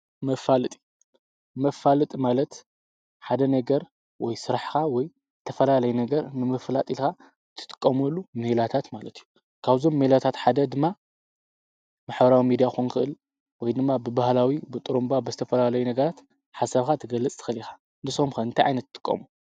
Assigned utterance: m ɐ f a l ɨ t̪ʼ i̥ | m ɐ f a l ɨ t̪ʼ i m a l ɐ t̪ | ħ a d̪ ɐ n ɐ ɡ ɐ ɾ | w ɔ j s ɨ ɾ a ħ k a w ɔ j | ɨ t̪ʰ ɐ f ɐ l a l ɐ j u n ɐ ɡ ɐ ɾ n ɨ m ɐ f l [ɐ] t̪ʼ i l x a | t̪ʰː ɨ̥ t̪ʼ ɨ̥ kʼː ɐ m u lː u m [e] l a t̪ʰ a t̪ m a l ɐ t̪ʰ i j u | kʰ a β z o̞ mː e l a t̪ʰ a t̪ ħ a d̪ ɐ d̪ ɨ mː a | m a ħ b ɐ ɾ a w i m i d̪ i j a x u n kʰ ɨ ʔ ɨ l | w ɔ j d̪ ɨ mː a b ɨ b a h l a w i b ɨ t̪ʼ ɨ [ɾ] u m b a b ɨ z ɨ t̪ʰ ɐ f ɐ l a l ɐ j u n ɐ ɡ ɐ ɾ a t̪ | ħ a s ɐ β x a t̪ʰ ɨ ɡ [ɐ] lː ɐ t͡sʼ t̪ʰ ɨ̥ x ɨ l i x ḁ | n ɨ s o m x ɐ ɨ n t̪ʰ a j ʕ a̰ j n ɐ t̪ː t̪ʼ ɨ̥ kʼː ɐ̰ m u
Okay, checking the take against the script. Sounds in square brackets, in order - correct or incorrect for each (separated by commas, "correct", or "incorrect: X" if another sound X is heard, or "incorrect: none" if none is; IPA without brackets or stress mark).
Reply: incorrect: a, correct, correct, correct